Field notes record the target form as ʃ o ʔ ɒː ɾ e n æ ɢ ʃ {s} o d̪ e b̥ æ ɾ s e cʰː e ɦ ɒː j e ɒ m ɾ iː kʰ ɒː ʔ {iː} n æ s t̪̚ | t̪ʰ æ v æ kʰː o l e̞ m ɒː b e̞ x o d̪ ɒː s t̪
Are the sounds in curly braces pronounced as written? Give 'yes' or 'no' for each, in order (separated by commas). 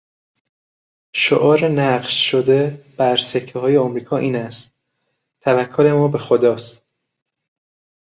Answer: no, yes